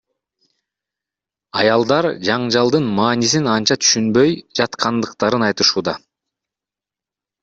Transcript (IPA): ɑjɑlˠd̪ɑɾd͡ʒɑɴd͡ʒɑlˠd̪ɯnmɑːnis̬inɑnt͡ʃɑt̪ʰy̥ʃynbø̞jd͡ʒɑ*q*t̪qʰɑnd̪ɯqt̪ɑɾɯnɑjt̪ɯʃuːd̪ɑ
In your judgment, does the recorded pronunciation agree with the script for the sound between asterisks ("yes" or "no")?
no